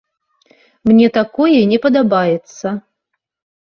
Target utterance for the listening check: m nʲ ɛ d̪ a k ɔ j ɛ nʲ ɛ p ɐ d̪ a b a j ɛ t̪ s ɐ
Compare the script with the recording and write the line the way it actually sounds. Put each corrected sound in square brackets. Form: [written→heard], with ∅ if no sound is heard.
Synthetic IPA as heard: m nʲ ɛ [d̪→t̪] a k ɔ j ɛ nʲ ɛ p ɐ d̪ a b a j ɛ t̪ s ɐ